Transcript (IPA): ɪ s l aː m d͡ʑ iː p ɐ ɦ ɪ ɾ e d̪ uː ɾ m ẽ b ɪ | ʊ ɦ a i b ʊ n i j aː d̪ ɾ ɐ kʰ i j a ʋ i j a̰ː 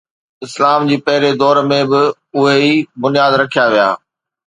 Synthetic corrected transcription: ɪ s l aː m d͡ʑ iː p ɐ ɦ ɪ ɾ e d̪ ɔː ɾ m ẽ b ɪ | ʊ ɦ e i b ʊ n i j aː d̪ ɾ ɐ kʰ i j a ʋ i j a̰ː